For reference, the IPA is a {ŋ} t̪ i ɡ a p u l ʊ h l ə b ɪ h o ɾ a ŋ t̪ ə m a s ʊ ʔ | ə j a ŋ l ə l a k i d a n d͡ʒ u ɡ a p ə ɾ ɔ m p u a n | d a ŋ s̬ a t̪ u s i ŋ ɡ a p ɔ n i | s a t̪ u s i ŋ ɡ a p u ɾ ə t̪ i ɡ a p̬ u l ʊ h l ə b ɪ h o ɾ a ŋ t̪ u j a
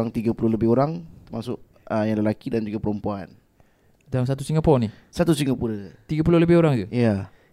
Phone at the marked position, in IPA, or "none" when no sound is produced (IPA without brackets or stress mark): ŋ